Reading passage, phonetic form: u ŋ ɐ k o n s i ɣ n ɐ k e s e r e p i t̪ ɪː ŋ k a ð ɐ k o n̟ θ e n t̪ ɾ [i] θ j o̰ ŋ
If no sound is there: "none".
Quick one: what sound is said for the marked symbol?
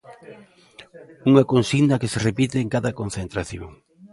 a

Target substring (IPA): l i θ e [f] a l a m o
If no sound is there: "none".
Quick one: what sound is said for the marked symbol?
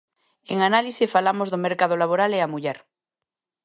f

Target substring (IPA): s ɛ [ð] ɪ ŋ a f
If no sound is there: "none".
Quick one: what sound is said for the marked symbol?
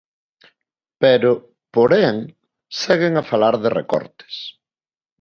ɣ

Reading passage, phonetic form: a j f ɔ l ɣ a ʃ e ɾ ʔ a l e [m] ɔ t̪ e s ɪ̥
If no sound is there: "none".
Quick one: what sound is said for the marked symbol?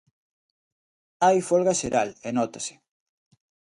n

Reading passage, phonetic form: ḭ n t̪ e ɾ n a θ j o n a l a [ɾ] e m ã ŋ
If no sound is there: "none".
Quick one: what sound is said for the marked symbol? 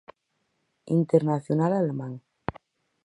l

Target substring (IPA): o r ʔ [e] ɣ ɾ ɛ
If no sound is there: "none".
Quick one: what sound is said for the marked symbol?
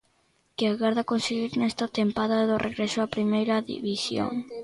e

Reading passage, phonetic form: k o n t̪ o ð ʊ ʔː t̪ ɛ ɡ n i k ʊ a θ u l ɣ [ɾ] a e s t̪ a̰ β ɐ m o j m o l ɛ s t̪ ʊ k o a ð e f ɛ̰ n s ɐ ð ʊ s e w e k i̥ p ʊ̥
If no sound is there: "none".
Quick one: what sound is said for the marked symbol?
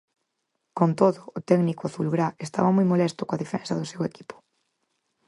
ɾ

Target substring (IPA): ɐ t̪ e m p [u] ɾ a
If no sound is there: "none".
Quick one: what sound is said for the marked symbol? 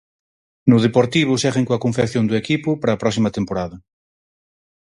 o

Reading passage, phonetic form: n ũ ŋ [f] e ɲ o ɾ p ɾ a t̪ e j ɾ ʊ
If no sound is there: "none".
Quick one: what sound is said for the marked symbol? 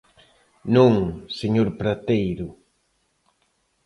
s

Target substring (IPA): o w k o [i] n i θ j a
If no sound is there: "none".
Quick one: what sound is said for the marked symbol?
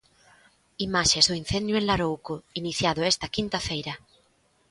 i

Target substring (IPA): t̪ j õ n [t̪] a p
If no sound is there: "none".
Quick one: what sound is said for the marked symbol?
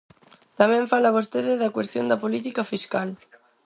d̪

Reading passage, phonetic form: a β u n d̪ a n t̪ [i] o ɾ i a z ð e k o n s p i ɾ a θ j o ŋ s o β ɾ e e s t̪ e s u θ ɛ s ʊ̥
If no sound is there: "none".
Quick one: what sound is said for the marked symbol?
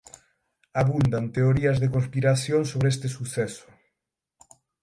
e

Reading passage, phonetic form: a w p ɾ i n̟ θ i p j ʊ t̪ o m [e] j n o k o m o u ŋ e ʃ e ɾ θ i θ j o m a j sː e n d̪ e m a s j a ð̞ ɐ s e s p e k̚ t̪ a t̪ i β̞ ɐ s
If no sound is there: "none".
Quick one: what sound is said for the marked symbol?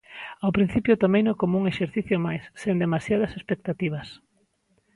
e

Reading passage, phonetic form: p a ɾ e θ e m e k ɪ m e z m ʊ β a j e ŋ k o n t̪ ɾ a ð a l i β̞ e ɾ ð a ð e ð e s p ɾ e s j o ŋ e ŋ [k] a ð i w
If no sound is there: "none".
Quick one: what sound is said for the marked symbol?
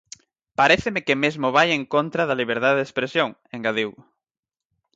ɡ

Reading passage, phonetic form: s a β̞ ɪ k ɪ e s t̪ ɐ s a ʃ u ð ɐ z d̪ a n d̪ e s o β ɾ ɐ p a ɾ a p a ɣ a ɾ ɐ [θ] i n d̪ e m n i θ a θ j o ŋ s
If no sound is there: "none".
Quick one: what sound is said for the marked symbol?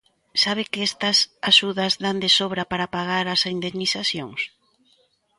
s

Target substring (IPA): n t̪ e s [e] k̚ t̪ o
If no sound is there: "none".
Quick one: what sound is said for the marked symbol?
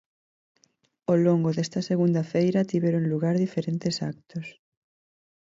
a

